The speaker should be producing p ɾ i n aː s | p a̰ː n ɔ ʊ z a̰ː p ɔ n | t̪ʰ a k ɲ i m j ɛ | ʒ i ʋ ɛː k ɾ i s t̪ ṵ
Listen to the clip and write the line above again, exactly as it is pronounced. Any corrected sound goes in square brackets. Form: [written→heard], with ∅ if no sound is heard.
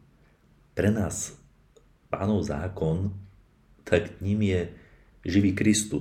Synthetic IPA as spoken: p ɾ [i→ɛ] n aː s | p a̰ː n ɔ ʊ z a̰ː [p→k] ɔ n | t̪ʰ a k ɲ i m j ɛ | ʒ i ʋ [ɛː→iː] k ɾ i s t̪ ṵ